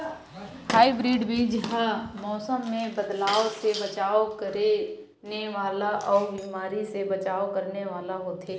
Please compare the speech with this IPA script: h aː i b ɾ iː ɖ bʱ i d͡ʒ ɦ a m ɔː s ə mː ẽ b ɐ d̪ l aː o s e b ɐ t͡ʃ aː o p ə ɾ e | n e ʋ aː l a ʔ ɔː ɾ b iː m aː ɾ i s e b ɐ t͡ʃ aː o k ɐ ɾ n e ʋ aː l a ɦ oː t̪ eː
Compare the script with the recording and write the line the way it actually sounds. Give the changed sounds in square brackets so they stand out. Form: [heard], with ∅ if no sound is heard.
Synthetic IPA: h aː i b ɾ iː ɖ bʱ i d͡ʒ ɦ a m ɔː s ə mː ẽ b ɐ d̪ l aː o s e b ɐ t͡ʃ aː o [k] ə ɾ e | n e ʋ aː l a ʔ ɔː ɾ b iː m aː ɾ i s e b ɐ t͡ʃ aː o k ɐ ɾ n e ʋ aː l a ɦ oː t̪ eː

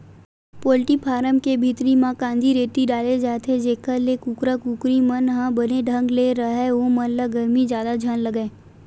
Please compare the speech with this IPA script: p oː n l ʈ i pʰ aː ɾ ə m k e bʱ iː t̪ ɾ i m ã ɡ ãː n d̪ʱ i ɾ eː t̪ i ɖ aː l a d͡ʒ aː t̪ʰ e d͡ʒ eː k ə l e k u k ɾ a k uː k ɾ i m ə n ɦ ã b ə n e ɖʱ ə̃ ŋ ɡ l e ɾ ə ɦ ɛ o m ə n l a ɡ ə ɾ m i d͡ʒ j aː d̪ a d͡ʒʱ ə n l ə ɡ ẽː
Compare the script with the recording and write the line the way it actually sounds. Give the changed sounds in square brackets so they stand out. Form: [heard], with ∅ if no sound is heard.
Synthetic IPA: p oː [∅] l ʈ i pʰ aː ɾ ə m k e bʱ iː t̪ ɾ i m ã [k] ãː n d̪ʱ i ɾ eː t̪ i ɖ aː l [e] d͡ʒ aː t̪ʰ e d͡ʒ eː k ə l e k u k ɾ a k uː k ɾ i m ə n ɦ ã b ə n e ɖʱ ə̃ ŋ ɡ l e ɾ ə ɦ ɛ o m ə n l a ɡ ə ɾ m i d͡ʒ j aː d̪ a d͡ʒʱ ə n l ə ɡ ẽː

